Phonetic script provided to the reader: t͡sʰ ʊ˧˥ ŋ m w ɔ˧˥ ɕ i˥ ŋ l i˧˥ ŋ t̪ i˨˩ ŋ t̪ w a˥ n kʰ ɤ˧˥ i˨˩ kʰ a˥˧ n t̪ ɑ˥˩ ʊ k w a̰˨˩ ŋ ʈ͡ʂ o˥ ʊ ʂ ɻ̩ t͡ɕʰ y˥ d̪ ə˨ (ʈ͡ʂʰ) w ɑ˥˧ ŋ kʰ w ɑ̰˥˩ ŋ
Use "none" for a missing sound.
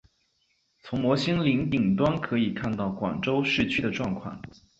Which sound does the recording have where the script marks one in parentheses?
ʈ͡ʂ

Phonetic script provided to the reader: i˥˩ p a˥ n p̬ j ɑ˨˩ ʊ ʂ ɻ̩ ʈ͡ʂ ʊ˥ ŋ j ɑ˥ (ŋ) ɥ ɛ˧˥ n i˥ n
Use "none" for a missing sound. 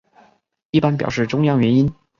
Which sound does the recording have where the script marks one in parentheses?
ŋ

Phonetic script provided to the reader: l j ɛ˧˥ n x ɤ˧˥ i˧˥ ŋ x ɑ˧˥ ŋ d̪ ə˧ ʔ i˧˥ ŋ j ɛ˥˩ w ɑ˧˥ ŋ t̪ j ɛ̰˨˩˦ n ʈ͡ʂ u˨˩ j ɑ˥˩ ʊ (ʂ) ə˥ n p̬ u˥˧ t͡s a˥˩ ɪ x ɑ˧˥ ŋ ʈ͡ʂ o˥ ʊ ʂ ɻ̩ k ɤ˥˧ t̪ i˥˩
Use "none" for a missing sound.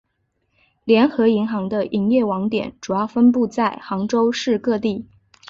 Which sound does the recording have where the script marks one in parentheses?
f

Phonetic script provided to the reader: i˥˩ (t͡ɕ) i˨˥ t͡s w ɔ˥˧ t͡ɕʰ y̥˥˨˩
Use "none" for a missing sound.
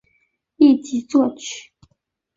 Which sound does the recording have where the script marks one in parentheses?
t͡ɕ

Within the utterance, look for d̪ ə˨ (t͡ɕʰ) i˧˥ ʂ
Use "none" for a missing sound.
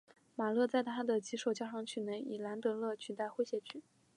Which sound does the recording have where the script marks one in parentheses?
t͡ɕ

